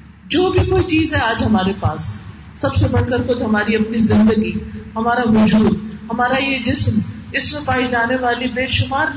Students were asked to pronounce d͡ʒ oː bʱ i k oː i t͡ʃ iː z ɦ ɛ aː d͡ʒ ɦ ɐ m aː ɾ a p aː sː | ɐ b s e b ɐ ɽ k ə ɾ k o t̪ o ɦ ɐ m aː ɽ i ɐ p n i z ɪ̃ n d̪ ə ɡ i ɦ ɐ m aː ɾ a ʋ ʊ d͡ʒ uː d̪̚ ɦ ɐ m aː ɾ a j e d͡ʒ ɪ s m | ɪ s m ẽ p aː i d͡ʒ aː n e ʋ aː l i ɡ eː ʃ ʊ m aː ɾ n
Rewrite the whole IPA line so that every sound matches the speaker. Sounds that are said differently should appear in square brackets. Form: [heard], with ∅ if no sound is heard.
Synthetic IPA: d͡ʒ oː bʱ i k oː i t͡ʃ iː z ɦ ɛ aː d͡ʒ ɦ ɐ m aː ɾ [e] p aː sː | ɐ b s e b ɐ ɽ k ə ɾ k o t̪ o ɦ ɐ m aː [ɾ] i ɐ p n i z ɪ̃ n d̪ ə ɡ i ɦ ɐ m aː ɾ a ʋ ʊ d͡ʒ uː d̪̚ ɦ ɐ m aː ɾ a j e d͡ʒ ɪ s m | ɪ s m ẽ p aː i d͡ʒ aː n e ʋ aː l i [b] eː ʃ ʊ m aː ɾ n